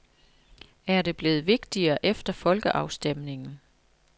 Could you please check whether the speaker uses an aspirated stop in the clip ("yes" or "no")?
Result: no